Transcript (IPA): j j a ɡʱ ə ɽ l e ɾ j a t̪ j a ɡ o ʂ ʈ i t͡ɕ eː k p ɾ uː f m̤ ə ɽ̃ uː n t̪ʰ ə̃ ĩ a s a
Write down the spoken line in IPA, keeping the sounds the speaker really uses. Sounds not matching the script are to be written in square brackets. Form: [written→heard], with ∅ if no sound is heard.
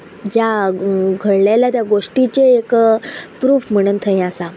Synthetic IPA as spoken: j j a ɡʱ ə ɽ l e [ɾ→l] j a t̪ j a ɡ o ʂ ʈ i t͡ɕ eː k p ɾ uː f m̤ ə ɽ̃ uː n t̪ʰ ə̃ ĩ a s a